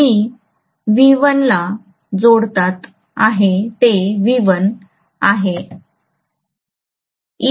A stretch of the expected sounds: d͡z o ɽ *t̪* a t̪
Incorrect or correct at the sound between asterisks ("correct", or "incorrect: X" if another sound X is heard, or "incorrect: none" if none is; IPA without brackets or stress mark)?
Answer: correct